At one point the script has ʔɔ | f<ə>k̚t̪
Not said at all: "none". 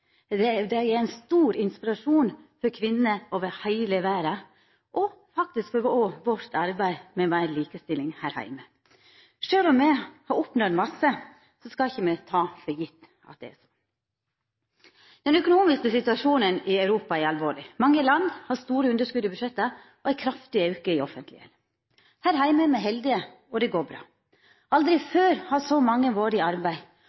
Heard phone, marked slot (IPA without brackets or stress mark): ɑ